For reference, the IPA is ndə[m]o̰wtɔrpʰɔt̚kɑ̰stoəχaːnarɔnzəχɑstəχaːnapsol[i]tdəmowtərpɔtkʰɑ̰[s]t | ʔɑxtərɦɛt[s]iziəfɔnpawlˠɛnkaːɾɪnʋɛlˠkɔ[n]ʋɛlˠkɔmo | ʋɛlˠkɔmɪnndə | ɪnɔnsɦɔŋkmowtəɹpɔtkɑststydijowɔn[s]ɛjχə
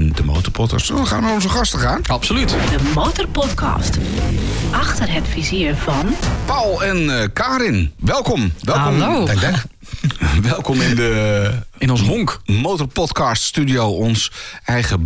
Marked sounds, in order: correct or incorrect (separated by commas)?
correct, incorrect, correct, incorrect, incorrect, correct